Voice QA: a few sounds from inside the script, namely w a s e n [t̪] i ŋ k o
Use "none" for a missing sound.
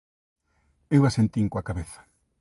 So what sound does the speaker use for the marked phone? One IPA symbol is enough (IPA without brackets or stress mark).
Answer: t̪